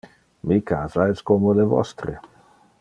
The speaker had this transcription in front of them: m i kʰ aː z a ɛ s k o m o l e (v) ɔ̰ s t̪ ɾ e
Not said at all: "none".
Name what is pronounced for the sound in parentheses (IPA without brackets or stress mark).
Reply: v